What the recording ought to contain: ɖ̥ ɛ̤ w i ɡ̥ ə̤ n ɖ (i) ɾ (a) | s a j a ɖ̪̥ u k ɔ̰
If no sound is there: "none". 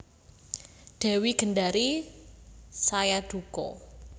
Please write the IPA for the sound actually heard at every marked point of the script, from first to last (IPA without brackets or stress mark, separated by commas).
a, i